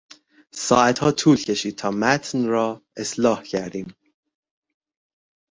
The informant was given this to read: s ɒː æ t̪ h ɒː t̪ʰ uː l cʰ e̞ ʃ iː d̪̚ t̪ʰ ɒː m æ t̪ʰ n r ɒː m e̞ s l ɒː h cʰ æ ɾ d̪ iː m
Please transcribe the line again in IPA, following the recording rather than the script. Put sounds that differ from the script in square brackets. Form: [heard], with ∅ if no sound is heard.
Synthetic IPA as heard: s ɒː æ t̪ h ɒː t̪ʰ uː l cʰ e̞ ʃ iː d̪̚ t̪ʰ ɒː m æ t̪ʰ n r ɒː [∅] e̞ s l ɒː h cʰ æ ɾ d̪ iː m